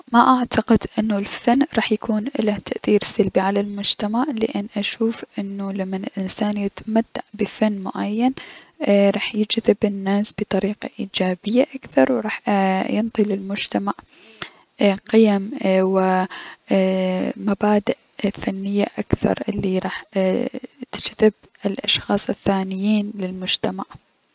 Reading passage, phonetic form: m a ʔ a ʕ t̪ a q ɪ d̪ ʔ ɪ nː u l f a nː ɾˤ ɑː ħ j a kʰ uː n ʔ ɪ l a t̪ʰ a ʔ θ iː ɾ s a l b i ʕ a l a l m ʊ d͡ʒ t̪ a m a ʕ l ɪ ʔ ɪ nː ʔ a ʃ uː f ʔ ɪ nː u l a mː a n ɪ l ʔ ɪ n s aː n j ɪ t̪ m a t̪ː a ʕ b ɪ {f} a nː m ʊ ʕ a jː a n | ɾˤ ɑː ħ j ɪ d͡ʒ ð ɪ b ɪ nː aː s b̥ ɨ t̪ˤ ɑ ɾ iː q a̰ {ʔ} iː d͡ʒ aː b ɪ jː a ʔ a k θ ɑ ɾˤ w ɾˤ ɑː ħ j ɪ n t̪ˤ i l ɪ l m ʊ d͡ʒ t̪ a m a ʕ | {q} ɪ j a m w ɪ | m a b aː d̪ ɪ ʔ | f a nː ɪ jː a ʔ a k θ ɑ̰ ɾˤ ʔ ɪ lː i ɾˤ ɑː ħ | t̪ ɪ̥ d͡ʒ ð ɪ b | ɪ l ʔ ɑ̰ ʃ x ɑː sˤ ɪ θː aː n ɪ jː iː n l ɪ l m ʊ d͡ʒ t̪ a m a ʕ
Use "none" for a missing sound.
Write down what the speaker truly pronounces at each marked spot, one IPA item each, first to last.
f, ʔ, q

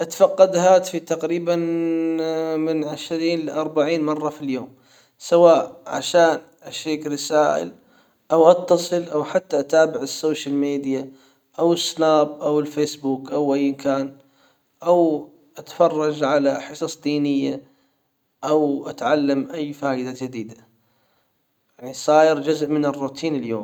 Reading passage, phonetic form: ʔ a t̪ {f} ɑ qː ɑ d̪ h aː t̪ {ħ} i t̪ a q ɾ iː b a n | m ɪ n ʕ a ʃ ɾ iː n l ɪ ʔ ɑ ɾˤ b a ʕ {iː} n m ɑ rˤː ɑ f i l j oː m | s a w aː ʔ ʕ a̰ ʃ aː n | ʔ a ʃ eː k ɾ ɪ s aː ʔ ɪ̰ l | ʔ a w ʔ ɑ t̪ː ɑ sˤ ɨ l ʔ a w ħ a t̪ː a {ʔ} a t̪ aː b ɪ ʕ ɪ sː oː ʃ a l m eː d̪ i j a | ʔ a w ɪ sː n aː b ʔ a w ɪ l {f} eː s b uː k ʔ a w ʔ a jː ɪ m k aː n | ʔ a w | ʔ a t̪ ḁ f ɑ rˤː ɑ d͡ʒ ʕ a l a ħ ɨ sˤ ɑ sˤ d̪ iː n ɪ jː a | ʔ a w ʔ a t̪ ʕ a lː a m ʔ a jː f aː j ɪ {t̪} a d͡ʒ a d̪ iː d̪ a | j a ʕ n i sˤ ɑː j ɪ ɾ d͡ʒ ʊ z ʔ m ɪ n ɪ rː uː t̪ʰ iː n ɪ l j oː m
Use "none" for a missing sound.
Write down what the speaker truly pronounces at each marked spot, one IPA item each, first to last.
f, f, iː, ʔ, f, d̪

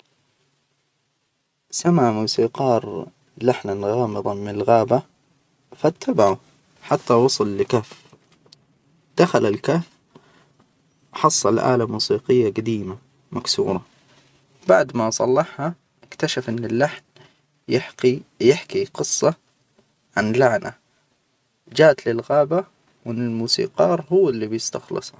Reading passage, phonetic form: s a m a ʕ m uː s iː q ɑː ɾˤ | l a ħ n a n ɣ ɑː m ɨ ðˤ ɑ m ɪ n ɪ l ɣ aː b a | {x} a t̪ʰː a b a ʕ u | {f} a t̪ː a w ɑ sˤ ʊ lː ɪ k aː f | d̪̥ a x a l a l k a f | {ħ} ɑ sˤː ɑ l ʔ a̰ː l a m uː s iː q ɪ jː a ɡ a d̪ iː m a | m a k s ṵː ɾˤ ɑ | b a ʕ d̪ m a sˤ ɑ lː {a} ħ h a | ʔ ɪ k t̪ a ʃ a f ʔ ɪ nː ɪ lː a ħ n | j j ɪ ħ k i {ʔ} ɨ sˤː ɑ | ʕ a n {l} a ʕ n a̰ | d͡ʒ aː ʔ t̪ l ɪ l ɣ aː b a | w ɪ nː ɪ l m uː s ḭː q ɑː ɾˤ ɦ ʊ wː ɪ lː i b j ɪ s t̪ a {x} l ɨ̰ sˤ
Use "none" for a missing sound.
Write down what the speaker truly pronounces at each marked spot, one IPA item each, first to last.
f, ħ, ħ, ɑ, q, l, x

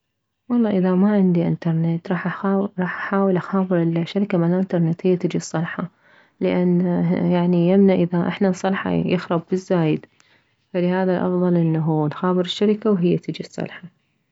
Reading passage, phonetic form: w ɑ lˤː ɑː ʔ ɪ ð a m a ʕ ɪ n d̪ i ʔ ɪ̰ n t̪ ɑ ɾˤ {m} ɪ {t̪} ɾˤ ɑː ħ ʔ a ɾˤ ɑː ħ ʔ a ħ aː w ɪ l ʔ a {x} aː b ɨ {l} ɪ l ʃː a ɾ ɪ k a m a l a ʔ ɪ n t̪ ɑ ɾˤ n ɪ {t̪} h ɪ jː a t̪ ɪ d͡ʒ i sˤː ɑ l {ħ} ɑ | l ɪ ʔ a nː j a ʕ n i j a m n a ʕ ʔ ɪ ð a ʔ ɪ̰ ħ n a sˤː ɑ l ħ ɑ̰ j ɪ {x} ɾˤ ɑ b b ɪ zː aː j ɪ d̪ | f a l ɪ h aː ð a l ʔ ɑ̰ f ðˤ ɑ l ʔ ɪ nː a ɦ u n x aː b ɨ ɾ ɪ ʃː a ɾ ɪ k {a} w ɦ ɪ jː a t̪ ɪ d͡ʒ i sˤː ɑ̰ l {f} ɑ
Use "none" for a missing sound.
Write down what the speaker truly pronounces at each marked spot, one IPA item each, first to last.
n, t̪, x, ɾ, t̪, ħ, x, a, ħ

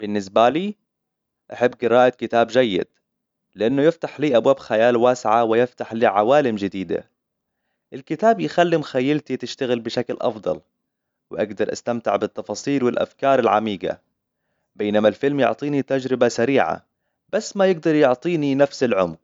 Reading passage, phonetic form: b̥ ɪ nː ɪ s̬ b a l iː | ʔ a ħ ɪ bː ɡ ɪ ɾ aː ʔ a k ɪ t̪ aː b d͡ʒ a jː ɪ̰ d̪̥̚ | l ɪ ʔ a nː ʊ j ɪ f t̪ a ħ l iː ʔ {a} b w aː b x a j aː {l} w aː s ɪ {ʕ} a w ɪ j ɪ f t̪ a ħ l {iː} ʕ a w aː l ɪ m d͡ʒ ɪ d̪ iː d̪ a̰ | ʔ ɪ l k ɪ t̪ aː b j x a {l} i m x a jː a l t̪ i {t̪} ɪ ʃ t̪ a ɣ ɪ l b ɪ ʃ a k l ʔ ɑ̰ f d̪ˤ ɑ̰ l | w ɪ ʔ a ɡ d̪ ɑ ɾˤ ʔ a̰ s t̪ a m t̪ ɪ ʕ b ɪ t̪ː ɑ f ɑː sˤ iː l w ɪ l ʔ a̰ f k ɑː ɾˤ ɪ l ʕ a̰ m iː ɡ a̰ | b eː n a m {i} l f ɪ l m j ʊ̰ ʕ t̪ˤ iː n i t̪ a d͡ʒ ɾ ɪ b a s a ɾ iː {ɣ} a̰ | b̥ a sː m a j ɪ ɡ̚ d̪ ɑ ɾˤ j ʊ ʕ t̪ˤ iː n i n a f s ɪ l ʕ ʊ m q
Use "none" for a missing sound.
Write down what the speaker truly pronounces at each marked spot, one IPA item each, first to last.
a, l, ʕ, iː, lː, t̪, a, ʕ

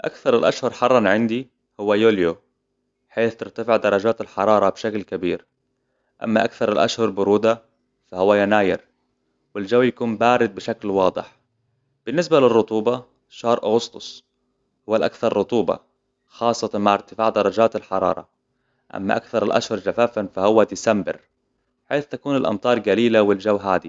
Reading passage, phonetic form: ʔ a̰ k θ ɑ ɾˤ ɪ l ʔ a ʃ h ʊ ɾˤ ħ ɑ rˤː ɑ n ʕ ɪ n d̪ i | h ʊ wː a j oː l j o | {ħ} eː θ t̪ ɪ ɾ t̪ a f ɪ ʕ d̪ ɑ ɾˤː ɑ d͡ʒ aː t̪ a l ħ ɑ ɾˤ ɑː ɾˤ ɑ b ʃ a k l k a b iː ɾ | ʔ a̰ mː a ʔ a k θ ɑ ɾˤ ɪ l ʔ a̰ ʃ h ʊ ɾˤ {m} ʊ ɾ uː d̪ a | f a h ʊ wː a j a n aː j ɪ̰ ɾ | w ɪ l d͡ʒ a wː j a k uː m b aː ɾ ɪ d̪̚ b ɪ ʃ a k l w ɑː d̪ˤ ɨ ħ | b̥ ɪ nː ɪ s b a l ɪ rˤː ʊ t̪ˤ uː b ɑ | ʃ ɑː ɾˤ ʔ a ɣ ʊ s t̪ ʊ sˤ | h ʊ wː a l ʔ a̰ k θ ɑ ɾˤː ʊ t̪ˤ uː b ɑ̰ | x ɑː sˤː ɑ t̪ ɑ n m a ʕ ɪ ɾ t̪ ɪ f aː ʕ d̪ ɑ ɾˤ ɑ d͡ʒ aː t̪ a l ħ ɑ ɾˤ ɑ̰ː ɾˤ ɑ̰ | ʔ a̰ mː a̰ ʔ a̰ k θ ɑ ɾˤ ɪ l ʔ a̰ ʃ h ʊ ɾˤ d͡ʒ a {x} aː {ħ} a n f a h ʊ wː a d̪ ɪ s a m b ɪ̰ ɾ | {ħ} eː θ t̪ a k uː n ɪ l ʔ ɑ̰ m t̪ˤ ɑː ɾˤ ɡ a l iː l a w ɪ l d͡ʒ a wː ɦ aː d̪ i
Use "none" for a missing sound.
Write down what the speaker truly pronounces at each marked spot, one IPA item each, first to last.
ħ, b, f, f, ħ

